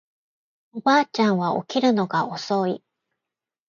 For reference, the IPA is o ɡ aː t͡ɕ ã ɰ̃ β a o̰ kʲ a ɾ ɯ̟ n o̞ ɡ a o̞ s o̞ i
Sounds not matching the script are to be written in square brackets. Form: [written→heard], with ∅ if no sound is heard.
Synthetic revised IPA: o [ɡ→b] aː t͡ɕ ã ɰ̃ β a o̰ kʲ [a→i] ɾ ɯ̟ n o̞ ɡ a o̞ s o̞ i